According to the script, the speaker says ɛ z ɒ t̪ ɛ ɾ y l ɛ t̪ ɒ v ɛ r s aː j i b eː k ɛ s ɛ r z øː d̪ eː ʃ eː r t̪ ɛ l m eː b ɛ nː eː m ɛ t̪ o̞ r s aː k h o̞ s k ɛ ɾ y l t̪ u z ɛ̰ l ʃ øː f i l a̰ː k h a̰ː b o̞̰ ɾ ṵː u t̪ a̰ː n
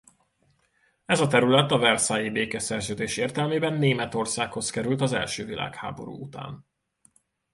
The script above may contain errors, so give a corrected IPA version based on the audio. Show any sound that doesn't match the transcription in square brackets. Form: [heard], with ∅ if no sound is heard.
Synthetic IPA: ɛ z ɒ t̪ ɛ ɾ y l ɛ t̪ ɒ v ɛ r s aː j i b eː k ɛ s ɛ r z øː d̪ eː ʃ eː r t̪ ɛ l m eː b ɛ nː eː m ɛ t̪ o̞ r s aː k h o̞ s k ɛ ɾ y l t̪ [ɒ] z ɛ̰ l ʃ øː [v] i l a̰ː k h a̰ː b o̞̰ ɾ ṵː u t̪ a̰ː n